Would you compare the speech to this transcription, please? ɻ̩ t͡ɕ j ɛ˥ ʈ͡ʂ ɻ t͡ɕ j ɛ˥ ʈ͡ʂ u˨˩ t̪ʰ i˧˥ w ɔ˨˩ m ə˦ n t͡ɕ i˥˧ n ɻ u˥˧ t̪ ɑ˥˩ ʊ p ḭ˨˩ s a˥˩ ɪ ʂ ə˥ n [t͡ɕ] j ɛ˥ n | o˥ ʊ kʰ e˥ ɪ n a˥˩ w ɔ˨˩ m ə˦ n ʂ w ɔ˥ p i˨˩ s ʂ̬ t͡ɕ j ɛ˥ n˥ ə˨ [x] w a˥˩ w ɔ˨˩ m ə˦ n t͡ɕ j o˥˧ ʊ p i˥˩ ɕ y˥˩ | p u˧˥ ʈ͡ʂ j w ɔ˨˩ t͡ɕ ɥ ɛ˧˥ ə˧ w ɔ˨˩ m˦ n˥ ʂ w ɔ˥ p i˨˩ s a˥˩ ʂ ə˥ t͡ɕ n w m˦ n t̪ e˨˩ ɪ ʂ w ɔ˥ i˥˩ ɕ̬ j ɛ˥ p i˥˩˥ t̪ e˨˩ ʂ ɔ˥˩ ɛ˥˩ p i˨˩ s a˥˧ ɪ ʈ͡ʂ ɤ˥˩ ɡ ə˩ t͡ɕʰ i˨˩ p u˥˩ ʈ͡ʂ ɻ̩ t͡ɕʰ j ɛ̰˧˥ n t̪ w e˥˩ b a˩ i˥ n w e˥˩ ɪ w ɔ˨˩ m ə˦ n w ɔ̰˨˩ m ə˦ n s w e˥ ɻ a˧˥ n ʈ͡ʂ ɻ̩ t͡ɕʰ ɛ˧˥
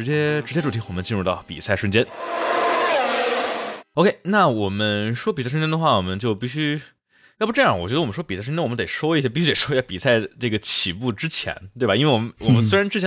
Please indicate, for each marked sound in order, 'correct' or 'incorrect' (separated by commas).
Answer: correct, correct